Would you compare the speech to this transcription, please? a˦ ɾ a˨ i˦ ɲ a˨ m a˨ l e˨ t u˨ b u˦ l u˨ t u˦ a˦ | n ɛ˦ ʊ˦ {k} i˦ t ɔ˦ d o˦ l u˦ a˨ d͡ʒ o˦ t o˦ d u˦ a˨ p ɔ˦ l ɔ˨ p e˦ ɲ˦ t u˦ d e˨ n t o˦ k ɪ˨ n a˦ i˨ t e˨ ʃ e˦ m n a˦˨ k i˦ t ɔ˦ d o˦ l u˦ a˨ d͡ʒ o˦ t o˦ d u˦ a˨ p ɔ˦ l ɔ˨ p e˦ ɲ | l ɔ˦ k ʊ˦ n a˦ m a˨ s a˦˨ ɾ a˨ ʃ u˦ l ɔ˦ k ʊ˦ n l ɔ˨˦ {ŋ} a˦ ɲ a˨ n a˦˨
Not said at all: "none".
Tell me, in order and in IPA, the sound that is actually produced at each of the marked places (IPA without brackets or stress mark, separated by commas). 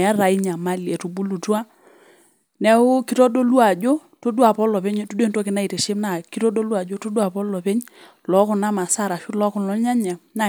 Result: k, ɲ